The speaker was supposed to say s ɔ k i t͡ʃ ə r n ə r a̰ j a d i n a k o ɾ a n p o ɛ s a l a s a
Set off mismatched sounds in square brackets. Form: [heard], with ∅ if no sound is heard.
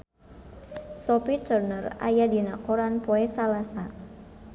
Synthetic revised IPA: s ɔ [p] i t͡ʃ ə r n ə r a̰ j a d i n a k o ɾ a n p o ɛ s a l a s a